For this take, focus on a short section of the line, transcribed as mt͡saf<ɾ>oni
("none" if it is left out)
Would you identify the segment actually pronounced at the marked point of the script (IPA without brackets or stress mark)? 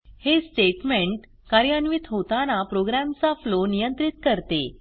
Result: l